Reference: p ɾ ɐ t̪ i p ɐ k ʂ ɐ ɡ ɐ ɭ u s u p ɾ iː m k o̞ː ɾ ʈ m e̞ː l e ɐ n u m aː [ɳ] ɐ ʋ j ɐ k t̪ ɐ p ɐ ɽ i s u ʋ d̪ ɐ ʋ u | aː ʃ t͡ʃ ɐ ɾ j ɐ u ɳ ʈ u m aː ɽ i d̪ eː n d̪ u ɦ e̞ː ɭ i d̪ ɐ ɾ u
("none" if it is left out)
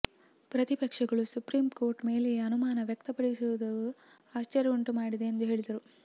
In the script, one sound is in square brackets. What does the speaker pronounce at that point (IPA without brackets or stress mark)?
n